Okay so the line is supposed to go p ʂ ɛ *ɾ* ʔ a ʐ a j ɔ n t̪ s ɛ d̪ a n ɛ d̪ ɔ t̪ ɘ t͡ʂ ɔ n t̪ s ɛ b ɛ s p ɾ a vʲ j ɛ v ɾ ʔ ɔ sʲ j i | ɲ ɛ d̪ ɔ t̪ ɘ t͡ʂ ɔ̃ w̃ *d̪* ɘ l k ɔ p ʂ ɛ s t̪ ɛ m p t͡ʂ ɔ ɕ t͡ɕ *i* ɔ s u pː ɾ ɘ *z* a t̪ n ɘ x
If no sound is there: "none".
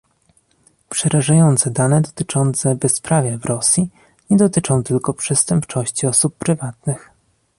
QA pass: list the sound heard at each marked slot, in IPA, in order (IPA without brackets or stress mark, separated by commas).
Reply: ɾ, t̪, i, v